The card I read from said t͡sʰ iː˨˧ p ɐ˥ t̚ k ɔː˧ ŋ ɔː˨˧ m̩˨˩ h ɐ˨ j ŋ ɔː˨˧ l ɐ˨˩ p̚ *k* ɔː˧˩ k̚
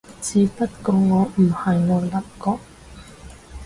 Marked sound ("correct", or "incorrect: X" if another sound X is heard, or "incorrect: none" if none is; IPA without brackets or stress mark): correct